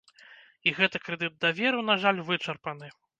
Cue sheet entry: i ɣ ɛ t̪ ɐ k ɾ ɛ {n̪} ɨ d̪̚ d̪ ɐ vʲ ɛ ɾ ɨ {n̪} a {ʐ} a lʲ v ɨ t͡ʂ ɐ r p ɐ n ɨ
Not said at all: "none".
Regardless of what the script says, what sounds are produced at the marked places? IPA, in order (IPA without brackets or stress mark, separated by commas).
d̪, n̪, ʐ